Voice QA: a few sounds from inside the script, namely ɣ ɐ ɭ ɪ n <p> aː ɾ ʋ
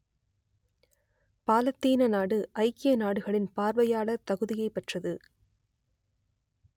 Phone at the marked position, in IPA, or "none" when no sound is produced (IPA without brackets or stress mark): p